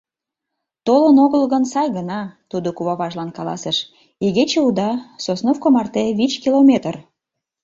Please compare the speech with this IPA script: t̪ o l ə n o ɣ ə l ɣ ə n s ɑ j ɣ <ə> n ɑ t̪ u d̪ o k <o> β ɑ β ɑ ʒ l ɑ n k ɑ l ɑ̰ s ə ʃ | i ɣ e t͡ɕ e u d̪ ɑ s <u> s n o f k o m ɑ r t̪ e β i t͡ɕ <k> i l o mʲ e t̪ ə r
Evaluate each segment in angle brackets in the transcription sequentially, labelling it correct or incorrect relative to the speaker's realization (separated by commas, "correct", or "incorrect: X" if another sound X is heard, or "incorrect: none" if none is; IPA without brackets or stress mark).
correct, incorrect: u, incorrect: o, correct